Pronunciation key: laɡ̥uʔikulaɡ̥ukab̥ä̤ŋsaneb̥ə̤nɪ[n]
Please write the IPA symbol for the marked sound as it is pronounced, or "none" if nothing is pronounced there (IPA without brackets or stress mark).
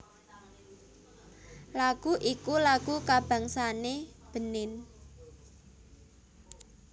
n